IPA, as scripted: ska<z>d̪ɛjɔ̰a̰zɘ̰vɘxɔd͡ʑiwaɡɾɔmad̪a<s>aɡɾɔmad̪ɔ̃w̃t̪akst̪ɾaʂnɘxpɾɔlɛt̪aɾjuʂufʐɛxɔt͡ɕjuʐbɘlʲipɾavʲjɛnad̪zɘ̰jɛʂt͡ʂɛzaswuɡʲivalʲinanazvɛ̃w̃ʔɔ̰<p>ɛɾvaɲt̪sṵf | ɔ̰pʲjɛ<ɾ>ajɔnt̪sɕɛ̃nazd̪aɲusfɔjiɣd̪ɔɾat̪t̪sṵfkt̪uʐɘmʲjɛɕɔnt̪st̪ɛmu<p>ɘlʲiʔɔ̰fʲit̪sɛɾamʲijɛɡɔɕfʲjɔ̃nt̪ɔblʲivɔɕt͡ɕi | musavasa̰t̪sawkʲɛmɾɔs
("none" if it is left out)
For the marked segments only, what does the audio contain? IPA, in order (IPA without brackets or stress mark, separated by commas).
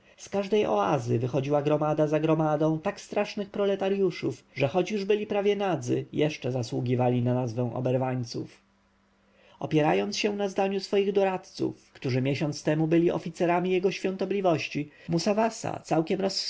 ʐ, z, b, ɾ, b